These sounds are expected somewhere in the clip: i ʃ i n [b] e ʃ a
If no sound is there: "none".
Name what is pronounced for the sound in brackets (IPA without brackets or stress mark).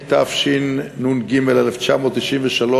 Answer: v